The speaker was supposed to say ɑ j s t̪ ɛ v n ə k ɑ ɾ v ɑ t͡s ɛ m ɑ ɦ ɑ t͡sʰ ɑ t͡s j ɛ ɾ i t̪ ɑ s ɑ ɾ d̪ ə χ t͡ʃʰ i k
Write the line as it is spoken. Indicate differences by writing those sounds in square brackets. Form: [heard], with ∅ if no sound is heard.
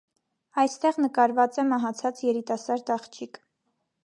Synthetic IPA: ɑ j s t̪ ɛ [ʁ] n ə k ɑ ɾ v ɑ t͡s ɛ m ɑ ɦ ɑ t͡sʰ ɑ t͡s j ɛ ɾ i t̪ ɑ s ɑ ɾ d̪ [ɑ] χ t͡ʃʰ i k